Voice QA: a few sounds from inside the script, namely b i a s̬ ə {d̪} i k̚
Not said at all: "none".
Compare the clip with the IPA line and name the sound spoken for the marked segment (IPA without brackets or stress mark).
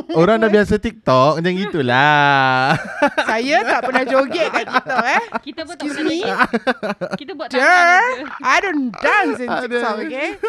t̪